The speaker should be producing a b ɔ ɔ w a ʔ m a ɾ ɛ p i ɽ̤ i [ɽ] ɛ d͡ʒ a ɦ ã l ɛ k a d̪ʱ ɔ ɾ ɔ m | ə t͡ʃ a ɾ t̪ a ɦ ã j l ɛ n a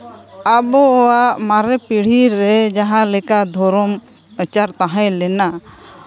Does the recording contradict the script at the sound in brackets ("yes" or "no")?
yes